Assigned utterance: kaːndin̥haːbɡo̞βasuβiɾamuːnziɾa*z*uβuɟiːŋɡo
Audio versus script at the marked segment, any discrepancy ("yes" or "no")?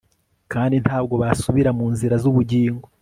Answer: no